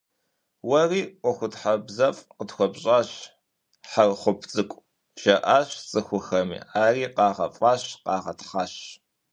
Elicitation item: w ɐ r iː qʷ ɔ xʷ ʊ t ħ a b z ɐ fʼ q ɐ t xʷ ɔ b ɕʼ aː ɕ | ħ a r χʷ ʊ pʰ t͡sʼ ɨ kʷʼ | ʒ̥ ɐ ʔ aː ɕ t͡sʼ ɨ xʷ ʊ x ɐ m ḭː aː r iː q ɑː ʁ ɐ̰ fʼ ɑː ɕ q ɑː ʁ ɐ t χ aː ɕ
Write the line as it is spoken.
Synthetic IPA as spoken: w ɐ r iː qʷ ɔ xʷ ʊ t ħ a b z ɐ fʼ q ə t xʷ ɔ b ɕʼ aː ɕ | ħ a r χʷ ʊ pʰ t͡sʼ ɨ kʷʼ | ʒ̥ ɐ ʔ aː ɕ t͡sʼ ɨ xʷ ʊ x ɐ m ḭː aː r iː q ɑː ʁ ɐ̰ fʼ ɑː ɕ q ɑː ʁ ɐ t χ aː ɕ